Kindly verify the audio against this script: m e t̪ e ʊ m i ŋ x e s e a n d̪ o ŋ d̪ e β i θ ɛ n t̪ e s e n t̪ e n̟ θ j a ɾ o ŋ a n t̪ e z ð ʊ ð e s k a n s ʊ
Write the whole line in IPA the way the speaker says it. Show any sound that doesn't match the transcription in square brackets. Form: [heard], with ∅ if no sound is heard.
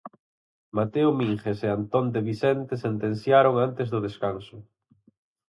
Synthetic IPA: m [a] t̪ e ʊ m i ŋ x e s e a n [t̪] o [n] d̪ e β i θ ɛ n t̪ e s e n t̪ e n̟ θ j a ɾ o ŋ a n t̪ e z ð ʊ ð e s k a n s ʊ